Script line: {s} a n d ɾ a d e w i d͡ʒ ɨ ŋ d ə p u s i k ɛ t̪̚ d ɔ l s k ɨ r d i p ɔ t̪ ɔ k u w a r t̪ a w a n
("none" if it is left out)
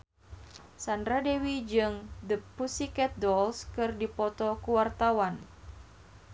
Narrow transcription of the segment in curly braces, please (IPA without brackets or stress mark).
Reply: s